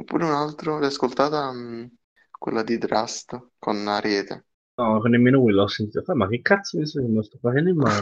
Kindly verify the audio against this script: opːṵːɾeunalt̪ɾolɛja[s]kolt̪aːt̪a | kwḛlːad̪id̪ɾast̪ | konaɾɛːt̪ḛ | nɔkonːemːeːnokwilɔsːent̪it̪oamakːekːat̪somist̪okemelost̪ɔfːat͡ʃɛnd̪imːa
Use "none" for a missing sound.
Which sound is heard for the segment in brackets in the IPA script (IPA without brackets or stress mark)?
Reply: s